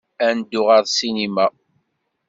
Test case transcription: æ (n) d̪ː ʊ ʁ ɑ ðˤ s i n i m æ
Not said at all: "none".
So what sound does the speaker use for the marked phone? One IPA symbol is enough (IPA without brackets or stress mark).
n